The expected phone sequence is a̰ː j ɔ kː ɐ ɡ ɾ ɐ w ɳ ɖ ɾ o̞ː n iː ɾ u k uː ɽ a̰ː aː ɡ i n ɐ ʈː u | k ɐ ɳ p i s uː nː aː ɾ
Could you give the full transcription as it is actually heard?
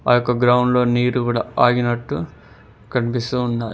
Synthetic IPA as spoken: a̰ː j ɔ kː ɐ ɡ ɾ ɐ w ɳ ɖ l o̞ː n iː ɾ u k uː ɽ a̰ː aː ɡ i n ɐ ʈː u | k ɐ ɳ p i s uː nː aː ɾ